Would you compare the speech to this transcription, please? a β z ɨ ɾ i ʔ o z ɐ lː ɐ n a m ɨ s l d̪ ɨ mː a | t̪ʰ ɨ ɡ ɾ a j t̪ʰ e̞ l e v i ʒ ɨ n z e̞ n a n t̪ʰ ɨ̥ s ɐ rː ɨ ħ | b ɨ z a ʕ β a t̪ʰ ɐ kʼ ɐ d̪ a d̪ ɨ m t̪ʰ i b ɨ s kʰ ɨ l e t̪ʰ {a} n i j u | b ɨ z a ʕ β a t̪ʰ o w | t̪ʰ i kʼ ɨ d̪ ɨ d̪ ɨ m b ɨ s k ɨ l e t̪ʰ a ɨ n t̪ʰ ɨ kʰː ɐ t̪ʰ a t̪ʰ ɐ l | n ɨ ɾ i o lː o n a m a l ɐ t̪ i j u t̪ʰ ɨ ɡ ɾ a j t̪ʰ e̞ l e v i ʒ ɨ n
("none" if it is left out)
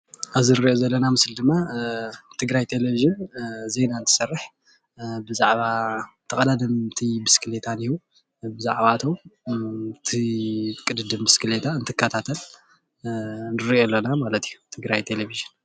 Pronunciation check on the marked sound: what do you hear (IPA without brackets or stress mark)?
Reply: a